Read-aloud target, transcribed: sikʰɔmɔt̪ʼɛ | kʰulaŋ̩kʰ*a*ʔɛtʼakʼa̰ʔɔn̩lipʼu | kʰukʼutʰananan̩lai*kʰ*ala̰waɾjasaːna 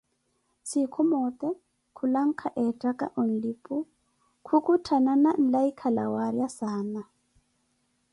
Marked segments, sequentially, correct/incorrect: correct, correct

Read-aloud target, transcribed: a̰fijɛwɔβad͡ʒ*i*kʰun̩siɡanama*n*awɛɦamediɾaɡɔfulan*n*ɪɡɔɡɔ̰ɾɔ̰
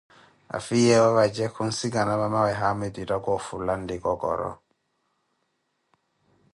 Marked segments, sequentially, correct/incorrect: incorrect, incorrect, incorrect

